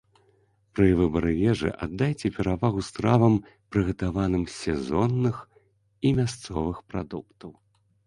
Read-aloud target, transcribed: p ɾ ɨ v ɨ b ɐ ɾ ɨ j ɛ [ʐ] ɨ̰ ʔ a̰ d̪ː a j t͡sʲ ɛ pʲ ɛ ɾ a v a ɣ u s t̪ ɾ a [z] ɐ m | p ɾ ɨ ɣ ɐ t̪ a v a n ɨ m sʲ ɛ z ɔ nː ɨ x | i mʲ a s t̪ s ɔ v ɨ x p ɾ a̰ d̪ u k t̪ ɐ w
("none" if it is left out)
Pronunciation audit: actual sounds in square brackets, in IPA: ʐ, v

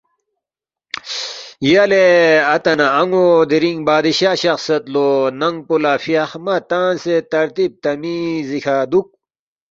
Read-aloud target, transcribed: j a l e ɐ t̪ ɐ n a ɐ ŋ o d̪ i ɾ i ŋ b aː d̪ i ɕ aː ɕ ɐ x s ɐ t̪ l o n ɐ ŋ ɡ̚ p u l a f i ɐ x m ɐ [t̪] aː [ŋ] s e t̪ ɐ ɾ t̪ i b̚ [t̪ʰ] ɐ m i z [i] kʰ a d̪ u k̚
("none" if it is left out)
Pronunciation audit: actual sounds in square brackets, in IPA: t̪, n, t̪, i

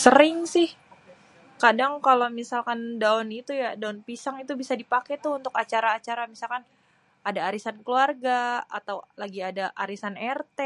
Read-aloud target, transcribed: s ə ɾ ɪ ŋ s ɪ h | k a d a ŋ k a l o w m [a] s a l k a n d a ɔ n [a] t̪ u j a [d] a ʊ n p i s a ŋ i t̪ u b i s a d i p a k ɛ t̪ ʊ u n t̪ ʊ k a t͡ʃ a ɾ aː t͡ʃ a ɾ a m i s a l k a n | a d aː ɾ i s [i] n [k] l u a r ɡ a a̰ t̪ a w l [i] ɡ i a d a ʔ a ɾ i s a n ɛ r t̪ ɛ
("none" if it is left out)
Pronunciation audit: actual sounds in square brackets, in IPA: i, i, d, a, k, a

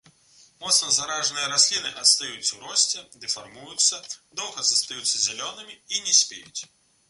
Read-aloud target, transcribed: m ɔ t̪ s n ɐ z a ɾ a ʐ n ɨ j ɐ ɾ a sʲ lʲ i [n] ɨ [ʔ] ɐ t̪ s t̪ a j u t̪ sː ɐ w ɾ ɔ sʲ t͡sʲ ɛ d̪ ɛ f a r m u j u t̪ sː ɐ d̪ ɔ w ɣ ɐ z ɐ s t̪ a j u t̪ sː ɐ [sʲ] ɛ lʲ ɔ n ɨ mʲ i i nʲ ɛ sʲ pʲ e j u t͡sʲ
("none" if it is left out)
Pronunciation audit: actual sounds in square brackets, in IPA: n, ʔ, zʲ

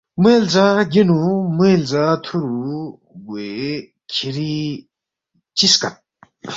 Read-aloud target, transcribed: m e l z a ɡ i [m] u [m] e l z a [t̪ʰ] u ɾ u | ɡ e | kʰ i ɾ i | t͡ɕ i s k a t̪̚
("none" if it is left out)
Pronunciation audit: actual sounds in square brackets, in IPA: n, m, t̪ʰ

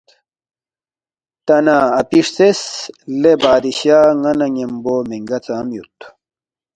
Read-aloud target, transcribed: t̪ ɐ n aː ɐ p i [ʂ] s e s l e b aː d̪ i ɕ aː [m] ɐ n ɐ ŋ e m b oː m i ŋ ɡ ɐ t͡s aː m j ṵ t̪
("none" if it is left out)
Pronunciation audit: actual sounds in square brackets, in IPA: ʂ, ŋ

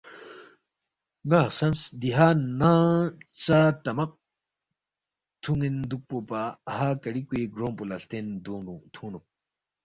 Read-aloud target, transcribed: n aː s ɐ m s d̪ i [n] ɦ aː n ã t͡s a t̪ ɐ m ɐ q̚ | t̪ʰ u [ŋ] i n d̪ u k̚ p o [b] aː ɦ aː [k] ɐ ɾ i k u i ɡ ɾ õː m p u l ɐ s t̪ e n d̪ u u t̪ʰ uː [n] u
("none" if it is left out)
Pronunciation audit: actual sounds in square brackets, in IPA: none, ŋ, p, k, n

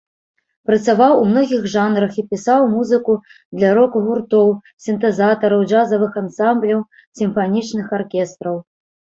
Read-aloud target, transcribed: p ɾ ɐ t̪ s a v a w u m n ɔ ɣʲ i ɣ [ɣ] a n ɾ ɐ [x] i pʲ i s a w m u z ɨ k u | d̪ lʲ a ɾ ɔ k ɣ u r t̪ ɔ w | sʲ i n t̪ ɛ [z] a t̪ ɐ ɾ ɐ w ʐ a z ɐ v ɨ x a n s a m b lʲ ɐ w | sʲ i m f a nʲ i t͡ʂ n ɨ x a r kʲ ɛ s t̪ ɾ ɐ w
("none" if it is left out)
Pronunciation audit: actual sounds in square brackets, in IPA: ʐ, x, z

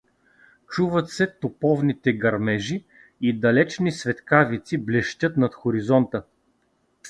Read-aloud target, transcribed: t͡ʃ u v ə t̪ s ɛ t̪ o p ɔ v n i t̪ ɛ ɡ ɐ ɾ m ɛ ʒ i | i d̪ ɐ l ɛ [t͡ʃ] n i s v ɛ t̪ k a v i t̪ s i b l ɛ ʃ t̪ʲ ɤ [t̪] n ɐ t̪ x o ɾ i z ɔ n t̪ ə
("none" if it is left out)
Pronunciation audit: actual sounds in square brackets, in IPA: t͡ʃ, t̪

